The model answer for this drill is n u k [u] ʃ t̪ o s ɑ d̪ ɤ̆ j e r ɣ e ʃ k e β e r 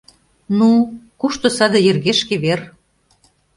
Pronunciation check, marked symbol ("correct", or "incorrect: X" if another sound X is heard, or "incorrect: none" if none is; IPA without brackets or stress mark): correct